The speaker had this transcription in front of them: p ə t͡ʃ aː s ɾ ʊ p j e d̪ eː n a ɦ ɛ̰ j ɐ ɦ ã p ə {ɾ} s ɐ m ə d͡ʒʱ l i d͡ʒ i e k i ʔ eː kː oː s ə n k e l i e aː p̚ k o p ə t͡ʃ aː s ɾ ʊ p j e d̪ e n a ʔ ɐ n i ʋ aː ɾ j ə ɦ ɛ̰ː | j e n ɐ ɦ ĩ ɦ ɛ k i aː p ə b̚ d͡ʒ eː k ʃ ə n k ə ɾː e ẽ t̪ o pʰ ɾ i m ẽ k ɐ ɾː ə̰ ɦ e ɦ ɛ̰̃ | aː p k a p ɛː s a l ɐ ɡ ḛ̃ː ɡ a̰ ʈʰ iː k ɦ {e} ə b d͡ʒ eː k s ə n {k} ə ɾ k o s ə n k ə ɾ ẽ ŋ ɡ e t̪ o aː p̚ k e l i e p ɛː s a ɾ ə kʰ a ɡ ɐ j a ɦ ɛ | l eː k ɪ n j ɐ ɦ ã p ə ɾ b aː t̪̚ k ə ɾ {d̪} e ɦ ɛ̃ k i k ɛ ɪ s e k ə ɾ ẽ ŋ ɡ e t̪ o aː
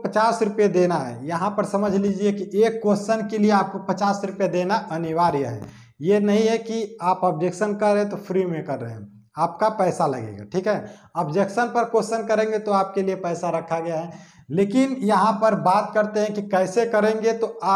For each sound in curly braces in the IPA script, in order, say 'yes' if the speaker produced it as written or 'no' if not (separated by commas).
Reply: yes, no, no, no